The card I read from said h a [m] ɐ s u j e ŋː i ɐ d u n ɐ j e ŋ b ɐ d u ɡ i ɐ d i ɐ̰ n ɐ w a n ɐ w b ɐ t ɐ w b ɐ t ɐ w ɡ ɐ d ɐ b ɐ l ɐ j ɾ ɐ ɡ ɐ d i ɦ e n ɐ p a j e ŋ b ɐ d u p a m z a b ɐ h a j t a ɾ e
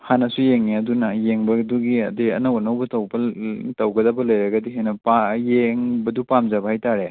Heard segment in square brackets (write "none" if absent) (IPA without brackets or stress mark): n